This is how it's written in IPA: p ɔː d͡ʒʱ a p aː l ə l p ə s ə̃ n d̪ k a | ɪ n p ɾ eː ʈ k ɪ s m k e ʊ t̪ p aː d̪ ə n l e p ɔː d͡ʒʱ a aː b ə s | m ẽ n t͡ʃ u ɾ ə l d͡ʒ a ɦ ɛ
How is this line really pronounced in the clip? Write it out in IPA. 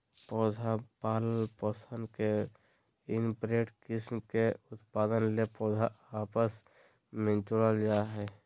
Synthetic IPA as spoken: p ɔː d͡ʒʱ a p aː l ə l p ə s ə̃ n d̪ k e | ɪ n p ɾ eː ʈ k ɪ s m k e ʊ t̪ p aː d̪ ə n l e p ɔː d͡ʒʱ a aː p ə s | m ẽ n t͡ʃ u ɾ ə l d͡ʒ a ɦ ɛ

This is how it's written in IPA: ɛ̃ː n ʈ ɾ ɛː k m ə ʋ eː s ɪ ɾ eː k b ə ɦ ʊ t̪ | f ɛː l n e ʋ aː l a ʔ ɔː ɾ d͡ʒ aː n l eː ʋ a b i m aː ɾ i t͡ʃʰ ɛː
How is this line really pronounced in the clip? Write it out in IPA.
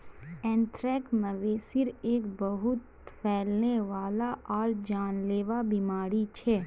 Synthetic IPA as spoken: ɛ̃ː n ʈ ɾ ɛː k m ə ʋ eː s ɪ ɾ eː k b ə ɦ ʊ t̪ | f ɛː l n e ʋ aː l a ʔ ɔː ɾ d͡ʒ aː n l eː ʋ a b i m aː ɾ i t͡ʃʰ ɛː

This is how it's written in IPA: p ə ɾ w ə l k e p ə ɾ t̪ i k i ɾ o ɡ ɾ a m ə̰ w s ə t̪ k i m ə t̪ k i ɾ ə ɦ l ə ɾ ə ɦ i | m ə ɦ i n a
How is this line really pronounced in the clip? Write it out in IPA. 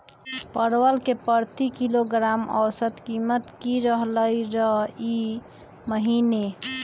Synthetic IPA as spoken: p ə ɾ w ə l k e p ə ɾ t̪ i k i l o ɡ ɾ a m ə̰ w s ə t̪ k i m ə t̪ k i ɾ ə ɦ l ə ɾ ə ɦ i | m ə ɦ i n e

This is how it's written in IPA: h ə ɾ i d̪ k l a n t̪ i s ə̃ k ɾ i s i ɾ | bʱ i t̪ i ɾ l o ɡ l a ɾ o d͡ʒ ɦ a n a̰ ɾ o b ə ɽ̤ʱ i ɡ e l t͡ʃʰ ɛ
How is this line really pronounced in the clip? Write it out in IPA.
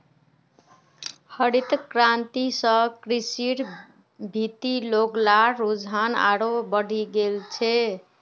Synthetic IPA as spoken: h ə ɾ i t̪ k ɾ a n t̪ i s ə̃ k ɾ i s i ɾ | bʱ i t̪ i l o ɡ l a ɾ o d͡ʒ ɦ a n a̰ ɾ o b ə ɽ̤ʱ i ɡ e l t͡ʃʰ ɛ

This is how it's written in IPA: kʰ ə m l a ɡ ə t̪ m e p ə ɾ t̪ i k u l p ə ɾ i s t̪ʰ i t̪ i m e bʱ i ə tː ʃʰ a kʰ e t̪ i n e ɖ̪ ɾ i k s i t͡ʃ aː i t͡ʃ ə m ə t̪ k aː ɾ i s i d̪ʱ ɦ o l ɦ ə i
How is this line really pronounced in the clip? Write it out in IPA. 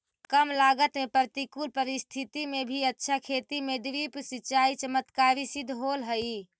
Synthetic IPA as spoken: k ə m l a ɡ ə t̪ m e p ə ɾ t̪ i k u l p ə ɾ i s t̪ʰ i t̪ i m e bʱ i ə tː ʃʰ a kʰ e t̪ i m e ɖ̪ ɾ i p s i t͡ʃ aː i t͡ʃ ə m ə t̪ k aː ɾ i s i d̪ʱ ɦ o l ɦ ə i

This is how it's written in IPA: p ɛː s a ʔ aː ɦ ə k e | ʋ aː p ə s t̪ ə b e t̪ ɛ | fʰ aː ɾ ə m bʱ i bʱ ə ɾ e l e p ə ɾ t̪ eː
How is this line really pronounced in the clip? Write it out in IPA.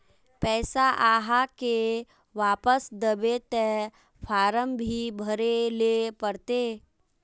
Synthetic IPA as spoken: p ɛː s a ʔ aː ɦ a k e | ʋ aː p ə s d̪ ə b e t̪ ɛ | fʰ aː ɾ ə m bʱ i bʱ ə ɾ e l e p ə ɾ t̪ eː

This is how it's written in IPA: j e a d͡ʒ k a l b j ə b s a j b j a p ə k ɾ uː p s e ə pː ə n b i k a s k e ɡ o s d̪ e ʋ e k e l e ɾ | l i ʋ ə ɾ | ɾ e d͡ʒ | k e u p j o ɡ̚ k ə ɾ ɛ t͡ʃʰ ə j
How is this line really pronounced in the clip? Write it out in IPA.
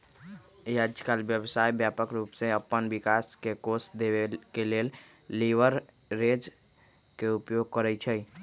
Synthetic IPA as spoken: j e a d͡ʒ k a l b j ə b s a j b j a p ə k ɾ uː p s e ə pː ə n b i k a s k e k o s d̪ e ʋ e k e l e l | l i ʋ ə ɾ | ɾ e d͡ʒ | k e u p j o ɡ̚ k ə ɾ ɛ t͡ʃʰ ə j

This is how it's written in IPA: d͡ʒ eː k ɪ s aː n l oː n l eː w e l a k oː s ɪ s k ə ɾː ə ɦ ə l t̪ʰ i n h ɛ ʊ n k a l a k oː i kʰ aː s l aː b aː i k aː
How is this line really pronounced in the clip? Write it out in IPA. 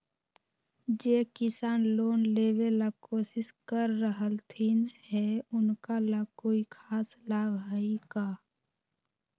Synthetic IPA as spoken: d͡ʒ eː k ɪ s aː n l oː n l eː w e l a k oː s ɪ s k ə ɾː ə ɦ ə l t̪ʰ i n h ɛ ʊ n k a l a k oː i kʰ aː s l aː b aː i k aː

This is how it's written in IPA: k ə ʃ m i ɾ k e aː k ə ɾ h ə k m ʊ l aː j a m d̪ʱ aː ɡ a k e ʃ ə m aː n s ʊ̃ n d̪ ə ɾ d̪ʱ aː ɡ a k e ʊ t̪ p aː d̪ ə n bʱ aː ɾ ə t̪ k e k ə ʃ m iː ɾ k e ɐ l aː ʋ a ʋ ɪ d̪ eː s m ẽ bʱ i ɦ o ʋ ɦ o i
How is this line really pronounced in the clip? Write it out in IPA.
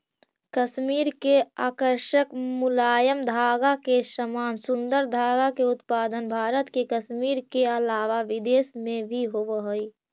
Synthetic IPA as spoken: k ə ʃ m iː ɾ k e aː k ə ɾ ʃ ə k m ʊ l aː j ə m d̪ʱ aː ɡ a k e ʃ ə m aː n s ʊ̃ n d̪ ə ɾ d̪ʱ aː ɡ a k e ʊ t̪ p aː d̪ ə n bʱ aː ɾ ə t̪ k e k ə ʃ m iː ɾ k e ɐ l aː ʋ a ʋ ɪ d̪ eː s m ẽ bʱ i ɦ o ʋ ɦ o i

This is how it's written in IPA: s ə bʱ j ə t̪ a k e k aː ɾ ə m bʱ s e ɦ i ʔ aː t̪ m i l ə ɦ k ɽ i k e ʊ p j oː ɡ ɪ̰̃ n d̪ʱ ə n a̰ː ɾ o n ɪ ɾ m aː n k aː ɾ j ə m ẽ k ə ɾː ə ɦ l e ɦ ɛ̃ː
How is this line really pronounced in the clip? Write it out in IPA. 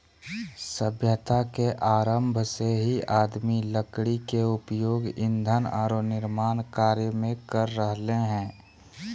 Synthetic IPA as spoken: s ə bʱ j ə t̪ a k e ʔ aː ɾ ə m bʱ s e ɦ i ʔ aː d̪ m i l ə k ɽ i k e ʊ p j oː ɡ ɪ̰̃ n d̪ʱ ə n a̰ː ɾ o n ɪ ɾ m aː n k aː ɾ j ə m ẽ k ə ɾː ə ɦ l e ɦ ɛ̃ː

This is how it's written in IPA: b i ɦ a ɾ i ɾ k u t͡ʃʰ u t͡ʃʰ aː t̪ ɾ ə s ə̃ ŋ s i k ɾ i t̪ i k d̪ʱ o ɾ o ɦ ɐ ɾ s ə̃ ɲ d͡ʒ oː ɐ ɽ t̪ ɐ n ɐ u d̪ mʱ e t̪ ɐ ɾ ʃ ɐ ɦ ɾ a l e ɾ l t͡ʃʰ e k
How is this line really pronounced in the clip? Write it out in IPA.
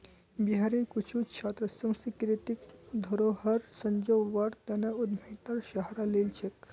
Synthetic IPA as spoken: b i ɦ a ɾ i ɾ k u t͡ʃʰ u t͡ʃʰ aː t̪ ɾ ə s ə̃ ŋ s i k ɾ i t̪ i k d̪ʱ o ɾ o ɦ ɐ ɾ s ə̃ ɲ d͡ʒ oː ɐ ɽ t̪ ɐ n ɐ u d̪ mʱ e t̪ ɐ ɾ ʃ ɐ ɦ ɾ a l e l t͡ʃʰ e k

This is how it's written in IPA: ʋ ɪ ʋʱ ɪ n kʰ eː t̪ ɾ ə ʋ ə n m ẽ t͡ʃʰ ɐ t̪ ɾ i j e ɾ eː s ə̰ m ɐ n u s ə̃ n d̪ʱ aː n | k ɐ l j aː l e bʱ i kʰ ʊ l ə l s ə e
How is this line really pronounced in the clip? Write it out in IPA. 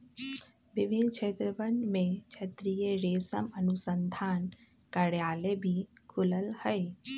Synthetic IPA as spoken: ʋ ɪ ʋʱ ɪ n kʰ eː t̪ ɾ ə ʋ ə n m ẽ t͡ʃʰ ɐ t̪ ɾ i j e ɾ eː s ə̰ m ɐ n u s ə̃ n d̪ʱ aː n | k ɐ ɽ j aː l e bʱ i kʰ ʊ l ə l h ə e

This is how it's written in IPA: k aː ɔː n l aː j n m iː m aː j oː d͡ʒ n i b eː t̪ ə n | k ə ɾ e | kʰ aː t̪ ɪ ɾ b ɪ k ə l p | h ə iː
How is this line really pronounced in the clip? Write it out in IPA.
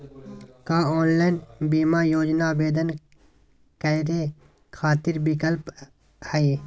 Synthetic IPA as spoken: k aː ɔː n l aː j n b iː m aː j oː d͡ʒ n a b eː d̪ ə n | k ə ɾ e | kʰ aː t̪ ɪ ɾ b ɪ k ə l p | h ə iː

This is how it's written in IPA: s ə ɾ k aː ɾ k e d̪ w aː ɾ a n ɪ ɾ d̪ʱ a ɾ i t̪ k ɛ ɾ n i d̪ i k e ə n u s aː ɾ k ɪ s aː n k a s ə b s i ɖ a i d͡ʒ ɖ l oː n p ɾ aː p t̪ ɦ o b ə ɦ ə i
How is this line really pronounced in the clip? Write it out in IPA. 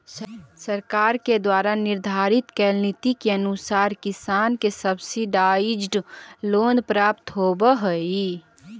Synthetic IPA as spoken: s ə ɾ k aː ɾ k e d̪ w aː ɾ a n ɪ ɾ d̪ʱ a ɾ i t̪ k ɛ l n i t̪ i k e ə n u s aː ɾ k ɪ s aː n k e s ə b s i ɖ a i d͡ʒ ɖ l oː n p ɾ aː p t̪ ɦ o b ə ɦ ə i

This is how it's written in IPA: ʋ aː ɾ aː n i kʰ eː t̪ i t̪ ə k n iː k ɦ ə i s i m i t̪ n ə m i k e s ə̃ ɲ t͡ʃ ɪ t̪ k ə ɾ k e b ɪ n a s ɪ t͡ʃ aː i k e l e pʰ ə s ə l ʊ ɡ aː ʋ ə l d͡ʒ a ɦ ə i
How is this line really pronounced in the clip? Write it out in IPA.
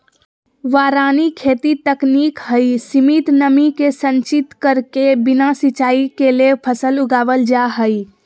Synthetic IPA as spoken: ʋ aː ɾ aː n i kʰ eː t̪ i t̪ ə k n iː k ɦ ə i s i m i t̪ n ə m i k e s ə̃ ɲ t͡ʃ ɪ t̪ k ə ɾ k e b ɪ n a s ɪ t͡ʃ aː i k e l e pʰ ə s ə l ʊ ɡ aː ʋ ə l d͡ʒ a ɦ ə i

